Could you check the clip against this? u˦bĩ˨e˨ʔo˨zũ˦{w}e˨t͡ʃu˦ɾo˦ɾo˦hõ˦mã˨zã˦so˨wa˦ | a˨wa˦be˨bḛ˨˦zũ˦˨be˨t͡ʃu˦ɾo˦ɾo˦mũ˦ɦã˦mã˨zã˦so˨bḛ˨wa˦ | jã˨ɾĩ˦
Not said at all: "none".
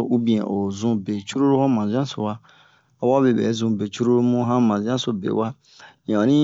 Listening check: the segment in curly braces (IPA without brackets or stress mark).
b